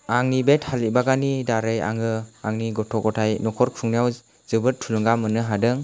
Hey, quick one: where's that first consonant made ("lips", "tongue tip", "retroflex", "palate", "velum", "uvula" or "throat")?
velum